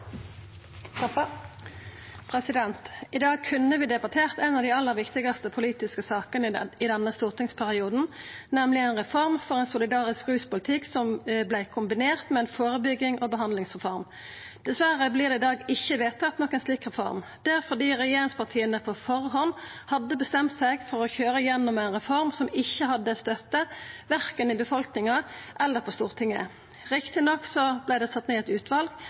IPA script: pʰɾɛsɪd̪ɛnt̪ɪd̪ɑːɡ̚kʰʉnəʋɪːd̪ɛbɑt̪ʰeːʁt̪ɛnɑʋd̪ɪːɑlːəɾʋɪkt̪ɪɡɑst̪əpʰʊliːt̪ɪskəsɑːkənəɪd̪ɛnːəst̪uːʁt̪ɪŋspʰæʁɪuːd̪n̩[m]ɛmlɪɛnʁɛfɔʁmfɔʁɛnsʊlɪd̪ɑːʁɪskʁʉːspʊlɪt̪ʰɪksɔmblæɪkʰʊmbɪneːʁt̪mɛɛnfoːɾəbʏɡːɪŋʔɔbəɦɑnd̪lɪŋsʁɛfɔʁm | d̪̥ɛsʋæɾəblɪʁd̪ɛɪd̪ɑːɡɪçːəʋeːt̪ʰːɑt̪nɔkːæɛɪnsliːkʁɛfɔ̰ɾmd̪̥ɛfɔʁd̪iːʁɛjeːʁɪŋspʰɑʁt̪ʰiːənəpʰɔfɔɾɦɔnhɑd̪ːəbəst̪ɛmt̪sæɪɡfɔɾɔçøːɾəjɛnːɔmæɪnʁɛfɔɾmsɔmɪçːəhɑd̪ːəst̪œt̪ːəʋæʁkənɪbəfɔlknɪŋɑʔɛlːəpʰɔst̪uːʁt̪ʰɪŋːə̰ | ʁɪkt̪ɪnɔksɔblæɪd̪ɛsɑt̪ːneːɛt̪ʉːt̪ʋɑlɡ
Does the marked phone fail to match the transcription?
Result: yes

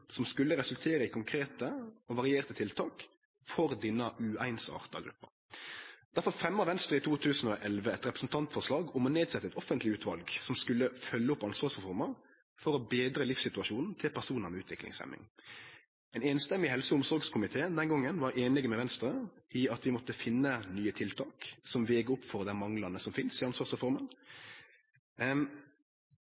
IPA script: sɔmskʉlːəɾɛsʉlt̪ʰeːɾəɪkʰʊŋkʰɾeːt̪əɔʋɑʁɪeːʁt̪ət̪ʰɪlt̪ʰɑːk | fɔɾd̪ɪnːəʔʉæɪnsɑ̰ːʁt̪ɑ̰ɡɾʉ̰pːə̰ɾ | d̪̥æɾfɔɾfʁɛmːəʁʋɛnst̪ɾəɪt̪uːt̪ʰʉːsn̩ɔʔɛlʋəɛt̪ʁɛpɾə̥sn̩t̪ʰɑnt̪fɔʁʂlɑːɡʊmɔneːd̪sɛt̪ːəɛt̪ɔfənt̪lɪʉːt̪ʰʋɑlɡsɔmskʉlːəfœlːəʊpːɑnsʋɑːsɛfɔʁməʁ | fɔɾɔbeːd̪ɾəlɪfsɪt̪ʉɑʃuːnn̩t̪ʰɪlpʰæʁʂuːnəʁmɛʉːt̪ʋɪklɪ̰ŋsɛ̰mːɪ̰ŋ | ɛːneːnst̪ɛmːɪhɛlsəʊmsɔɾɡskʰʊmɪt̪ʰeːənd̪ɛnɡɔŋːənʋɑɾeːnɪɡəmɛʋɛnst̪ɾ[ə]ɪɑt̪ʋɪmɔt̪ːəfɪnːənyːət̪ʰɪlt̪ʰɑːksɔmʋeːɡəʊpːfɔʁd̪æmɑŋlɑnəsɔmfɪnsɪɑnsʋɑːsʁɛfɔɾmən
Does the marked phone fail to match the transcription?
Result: no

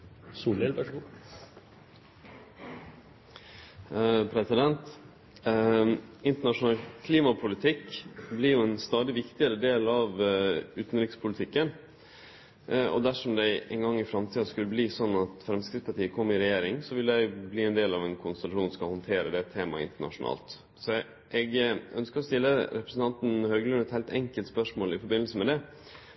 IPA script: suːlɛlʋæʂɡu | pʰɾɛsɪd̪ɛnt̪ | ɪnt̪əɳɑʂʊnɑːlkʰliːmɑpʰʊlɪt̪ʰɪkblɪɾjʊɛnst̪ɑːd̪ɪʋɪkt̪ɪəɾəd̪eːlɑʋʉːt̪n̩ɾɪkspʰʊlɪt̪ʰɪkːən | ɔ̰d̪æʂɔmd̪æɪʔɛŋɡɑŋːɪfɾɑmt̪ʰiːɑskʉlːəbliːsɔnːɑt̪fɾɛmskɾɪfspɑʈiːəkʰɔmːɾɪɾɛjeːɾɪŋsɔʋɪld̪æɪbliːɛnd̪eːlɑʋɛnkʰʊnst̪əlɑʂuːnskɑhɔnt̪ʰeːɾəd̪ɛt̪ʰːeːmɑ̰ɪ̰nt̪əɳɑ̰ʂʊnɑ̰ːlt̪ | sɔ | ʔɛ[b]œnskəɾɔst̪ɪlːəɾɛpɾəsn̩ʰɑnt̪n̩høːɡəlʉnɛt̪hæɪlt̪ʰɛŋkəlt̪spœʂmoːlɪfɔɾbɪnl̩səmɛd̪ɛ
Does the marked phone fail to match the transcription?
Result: yes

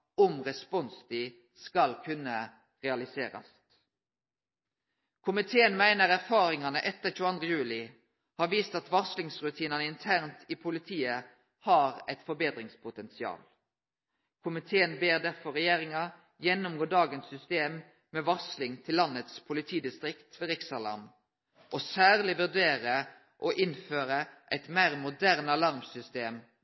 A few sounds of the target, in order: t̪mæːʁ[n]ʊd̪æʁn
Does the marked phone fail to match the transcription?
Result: yes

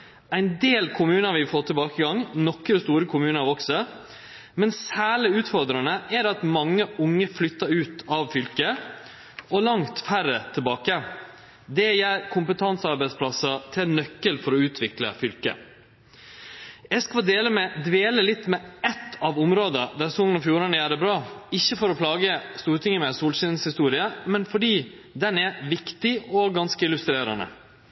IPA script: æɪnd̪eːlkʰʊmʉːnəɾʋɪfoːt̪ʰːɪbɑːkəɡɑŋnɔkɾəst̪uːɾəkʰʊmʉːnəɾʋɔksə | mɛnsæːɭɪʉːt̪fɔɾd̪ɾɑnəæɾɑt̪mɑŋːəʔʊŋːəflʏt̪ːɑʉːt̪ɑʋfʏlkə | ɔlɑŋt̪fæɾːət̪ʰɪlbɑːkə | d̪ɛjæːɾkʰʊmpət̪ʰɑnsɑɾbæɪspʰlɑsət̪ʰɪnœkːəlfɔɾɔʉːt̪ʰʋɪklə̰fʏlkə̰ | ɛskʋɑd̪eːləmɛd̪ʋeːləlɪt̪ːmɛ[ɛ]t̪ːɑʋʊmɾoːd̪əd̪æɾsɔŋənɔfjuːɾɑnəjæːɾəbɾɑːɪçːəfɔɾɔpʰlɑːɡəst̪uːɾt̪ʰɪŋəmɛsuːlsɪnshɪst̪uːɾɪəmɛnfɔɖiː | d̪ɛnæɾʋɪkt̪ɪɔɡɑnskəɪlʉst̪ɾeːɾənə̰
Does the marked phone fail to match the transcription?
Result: no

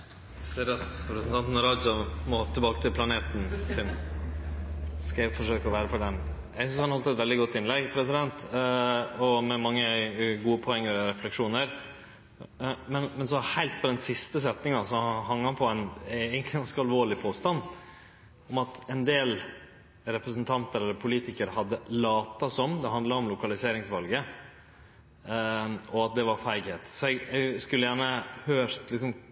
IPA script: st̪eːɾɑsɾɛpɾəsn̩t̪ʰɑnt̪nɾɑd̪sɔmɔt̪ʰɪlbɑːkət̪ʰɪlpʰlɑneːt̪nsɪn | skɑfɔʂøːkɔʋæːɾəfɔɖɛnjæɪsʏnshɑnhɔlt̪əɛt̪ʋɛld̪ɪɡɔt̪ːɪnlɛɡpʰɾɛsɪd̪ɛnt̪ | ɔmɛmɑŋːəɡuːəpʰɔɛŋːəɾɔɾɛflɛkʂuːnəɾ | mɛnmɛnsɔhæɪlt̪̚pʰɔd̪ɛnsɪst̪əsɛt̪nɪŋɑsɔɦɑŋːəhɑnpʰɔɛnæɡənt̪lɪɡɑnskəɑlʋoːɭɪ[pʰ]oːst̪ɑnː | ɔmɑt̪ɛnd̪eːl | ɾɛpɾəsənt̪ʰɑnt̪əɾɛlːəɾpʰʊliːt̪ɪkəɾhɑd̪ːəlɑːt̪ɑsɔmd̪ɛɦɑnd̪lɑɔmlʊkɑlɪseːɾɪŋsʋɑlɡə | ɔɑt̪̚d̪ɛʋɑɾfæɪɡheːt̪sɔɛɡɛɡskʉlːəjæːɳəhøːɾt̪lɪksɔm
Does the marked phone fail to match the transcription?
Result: no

